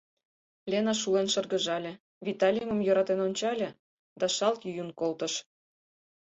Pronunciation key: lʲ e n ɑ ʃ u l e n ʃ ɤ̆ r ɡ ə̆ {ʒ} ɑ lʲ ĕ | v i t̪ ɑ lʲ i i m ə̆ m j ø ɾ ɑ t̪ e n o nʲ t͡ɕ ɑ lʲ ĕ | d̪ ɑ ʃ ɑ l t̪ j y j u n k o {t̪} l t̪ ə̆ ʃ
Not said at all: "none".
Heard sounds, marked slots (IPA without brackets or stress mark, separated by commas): ʒ, none